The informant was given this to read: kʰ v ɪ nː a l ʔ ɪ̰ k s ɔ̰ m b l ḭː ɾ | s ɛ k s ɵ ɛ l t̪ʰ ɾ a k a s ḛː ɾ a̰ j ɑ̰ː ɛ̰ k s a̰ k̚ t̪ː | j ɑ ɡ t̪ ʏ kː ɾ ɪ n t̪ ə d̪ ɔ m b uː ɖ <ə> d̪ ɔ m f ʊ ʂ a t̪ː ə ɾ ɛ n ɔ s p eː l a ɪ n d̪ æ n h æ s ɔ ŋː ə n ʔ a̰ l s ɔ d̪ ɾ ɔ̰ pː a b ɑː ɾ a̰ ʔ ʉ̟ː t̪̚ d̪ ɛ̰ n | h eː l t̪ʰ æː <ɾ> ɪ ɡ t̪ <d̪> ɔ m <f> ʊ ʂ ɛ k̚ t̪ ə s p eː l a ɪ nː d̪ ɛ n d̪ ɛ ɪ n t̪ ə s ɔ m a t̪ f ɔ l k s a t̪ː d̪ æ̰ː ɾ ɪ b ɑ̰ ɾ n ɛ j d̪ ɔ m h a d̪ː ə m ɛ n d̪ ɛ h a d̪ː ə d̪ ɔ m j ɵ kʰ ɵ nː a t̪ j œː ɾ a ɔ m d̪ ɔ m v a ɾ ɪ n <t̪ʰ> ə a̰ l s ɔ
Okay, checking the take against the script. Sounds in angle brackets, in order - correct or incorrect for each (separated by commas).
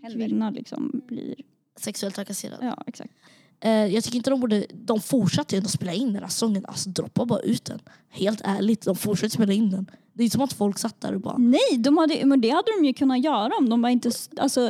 correct, incorrect, correct, correct, incorrect